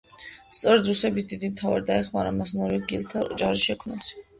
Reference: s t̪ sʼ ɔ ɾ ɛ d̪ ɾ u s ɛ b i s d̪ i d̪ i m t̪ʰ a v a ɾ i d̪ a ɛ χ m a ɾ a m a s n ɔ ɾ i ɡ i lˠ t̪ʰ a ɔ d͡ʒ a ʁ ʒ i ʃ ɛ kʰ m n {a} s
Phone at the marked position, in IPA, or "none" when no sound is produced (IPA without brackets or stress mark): a